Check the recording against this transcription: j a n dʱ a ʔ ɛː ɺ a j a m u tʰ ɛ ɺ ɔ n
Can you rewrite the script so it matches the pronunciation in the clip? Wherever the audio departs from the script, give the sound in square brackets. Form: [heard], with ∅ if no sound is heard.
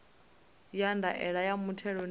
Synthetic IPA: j a n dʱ a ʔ [ɛ] ɺ a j a m u tʰ ɛ ɺ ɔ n